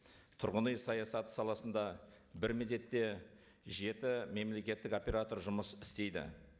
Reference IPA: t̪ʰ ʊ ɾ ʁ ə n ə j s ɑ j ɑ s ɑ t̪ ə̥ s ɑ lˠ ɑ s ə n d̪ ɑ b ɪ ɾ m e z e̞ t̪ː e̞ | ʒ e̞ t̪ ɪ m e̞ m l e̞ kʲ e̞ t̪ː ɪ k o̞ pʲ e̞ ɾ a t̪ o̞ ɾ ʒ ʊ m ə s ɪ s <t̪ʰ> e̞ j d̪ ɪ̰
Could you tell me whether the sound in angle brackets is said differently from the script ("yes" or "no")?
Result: yes